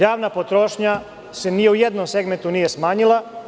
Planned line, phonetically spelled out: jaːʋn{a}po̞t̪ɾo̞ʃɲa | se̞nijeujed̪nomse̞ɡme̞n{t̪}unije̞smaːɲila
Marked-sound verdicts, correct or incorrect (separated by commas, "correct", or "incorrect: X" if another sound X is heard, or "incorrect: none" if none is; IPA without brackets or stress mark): correct, correct